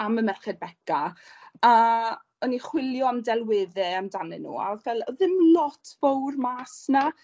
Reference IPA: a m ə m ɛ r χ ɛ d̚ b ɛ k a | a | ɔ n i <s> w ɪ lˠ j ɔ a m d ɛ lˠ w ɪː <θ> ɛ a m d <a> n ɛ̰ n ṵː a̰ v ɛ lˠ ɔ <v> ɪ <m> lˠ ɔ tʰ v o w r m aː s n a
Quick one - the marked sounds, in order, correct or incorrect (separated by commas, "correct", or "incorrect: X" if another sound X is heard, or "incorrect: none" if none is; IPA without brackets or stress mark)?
incorrect: χ, incorrect: ð, correct, incorrect: ð, correct